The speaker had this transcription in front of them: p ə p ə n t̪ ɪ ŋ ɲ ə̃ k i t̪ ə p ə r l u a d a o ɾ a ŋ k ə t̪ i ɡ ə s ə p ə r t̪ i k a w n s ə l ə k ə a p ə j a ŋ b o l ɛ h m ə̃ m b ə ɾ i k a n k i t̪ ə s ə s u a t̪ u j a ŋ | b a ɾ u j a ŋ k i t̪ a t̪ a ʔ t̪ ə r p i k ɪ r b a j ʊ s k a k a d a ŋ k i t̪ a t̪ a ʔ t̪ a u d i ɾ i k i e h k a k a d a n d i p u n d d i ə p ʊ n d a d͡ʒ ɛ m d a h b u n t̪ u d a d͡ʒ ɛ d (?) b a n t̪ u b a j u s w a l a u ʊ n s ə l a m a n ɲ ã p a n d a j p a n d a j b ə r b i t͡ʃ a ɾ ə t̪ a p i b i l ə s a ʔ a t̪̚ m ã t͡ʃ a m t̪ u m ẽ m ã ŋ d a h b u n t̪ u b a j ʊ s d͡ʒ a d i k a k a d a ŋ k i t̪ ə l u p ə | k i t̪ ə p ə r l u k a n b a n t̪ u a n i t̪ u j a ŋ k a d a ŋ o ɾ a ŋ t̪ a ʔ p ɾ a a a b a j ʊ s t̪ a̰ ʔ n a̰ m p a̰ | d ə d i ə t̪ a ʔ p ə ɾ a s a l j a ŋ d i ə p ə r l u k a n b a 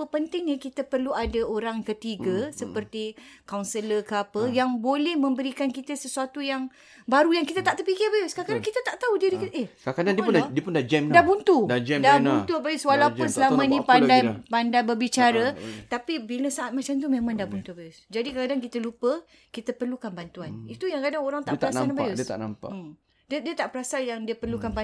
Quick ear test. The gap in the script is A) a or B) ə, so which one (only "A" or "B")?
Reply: A